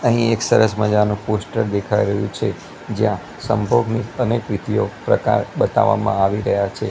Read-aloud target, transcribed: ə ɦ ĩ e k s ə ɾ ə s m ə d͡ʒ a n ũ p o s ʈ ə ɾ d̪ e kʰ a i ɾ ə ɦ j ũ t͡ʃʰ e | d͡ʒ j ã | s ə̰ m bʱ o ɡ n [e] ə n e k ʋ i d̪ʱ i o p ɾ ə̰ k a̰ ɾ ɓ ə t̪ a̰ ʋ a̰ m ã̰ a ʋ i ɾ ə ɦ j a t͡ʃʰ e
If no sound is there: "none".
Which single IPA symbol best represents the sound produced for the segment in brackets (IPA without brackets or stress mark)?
i